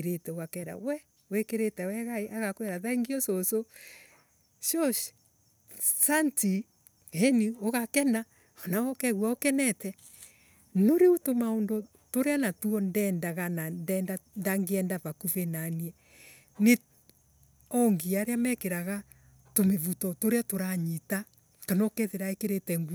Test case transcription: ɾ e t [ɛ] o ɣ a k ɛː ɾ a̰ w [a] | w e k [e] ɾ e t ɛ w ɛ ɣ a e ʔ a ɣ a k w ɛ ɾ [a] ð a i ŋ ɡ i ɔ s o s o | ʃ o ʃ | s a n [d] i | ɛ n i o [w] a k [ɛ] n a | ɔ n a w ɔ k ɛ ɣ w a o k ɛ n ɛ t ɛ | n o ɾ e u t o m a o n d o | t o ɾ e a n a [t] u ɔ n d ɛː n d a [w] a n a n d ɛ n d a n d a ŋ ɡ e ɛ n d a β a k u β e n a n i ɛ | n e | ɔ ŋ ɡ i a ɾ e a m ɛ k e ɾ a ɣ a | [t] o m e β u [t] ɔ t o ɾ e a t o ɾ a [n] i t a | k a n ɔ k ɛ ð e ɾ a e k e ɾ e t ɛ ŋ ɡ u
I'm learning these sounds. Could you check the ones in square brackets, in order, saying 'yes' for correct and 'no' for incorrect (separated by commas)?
yes, no, yes, yes, no, no, yes, yes, no, yes, yes, no